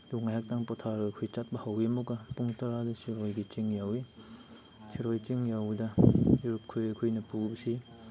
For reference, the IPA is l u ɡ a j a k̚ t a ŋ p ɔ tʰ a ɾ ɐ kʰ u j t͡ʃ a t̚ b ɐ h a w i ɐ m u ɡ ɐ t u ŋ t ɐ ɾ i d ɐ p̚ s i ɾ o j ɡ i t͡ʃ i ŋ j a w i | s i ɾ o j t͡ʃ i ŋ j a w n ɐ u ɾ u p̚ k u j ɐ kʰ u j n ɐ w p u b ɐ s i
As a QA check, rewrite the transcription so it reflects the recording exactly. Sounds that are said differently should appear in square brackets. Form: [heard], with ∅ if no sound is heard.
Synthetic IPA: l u [ŋ] a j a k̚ t a ŋ p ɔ tʰ a ɾ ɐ kʰ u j t͡ʃ a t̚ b ɐ h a w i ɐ m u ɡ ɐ [p] u ŋ t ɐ ɾ [a] d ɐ [∅] s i ɾ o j ɡ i t͡ʃ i ŋ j a w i | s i ɾ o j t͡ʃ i ŋ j a w [d] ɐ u ɾ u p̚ [kʰ] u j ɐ kʰ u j n ɐ [∅] p u b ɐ s i